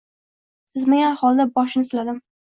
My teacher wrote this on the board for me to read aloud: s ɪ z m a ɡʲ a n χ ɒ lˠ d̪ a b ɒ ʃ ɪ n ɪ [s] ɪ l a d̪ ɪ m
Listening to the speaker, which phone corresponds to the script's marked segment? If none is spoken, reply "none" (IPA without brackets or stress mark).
s